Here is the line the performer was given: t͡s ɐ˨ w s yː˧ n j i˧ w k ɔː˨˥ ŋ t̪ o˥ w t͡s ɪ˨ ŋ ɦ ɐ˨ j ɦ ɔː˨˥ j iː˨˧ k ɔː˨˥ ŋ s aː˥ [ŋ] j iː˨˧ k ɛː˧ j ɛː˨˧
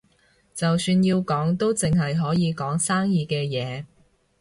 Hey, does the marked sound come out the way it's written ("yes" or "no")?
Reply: yes